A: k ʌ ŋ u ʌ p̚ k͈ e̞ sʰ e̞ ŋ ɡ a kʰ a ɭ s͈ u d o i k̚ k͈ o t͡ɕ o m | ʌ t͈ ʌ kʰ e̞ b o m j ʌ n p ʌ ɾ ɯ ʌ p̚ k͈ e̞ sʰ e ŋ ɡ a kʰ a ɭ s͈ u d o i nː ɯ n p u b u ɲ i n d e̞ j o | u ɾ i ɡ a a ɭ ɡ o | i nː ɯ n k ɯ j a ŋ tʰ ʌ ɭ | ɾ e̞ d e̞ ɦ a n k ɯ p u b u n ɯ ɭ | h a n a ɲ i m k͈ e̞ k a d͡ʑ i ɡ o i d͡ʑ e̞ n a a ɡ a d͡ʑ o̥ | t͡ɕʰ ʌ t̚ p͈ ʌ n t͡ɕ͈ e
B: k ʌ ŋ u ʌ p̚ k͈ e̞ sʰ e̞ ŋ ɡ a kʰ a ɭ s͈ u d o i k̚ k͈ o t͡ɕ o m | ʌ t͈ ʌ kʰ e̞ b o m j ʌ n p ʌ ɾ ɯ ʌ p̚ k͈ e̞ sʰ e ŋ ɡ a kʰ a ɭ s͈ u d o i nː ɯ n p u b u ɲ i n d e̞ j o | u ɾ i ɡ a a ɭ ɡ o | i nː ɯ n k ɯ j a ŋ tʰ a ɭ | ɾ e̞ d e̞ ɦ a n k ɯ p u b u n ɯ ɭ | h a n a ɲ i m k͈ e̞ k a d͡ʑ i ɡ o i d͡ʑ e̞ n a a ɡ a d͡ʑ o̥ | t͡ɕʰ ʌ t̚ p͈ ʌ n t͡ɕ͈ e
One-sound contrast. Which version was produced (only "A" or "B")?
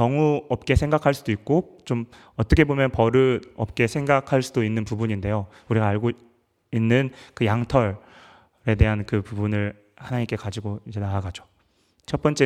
A